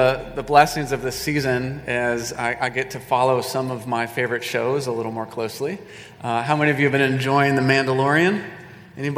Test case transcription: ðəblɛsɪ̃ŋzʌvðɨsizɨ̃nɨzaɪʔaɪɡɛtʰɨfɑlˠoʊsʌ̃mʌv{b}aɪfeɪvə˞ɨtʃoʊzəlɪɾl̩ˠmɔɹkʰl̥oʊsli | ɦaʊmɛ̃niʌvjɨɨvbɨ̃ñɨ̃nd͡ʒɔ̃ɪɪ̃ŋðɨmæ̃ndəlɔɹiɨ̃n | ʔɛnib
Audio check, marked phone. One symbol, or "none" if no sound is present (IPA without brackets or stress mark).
m